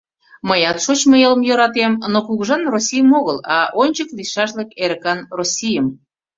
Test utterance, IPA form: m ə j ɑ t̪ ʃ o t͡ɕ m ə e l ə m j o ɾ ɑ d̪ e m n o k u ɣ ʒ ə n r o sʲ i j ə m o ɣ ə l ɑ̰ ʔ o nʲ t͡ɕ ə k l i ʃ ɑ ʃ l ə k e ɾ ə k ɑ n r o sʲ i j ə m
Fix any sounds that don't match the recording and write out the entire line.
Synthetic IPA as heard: m ə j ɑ t̪ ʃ o t͡ɕ m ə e l ə m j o ɾ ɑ t̪ e m n o k u ɣ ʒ ɑ n r o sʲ i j ə m o ɣ ə l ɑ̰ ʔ o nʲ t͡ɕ ə k l i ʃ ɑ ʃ l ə k e ɾ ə k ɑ n r o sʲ i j ə m